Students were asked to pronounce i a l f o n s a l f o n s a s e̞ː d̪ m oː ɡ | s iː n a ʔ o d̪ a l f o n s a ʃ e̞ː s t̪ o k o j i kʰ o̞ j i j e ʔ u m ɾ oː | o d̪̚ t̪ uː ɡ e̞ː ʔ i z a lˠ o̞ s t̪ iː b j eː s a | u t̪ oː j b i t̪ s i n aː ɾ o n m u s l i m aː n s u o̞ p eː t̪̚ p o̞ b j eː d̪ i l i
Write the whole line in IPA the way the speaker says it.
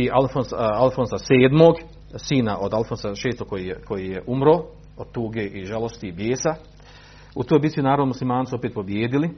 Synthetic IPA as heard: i a l f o n s a l f o n s a s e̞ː d̪ m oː ɡ | s iː n a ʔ o d̪ a l f o n s a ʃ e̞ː s t̪ o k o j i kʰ o̞ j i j e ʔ u m ɾ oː | o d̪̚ t̪ uː ɡ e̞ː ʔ i ʒ a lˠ o̞ s t̪ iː b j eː s a | u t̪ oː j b i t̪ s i n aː ɾ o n m u s l i m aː n s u o̞ p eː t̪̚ p o̞ b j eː d̪ i l i